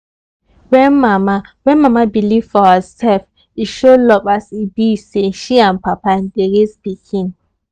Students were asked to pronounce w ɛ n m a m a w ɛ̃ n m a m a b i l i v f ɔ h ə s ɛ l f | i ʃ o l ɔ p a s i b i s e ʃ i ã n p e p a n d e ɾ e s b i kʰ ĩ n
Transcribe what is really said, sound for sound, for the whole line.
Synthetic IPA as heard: w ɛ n m a m a w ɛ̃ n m a m a b i l i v f ɔ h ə s ɛ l f | i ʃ o l ɔ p a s i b i s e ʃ i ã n p a p a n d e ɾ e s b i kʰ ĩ n